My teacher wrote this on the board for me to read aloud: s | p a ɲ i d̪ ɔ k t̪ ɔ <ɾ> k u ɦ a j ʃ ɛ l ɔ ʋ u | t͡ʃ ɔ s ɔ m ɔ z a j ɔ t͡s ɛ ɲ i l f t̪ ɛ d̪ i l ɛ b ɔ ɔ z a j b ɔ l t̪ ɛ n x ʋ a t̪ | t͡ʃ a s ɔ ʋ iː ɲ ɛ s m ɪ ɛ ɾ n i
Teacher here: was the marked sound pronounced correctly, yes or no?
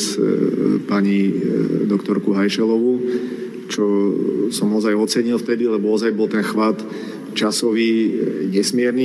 yes